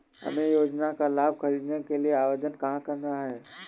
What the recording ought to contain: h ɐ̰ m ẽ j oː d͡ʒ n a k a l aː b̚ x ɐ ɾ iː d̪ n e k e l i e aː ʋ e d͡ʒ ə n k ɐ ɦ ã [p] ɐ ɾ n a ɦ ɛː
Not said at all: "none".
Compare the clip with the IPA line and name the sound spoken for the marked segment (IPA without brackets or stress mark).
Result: k